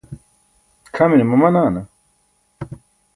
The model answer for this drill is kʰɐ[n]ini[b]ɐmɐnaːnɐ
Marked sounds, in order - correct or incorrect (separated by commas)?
incorrect, incorrect